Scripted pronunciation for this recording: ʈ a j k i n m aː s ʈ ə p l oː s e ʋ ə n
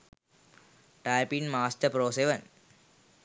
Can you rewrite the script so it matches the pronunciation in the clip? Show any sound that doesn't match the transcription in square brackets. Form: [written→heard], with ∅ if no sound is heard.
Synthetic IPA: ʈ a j [k→p] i n m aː s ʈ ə p [l→ɾ] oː s e ʋ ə n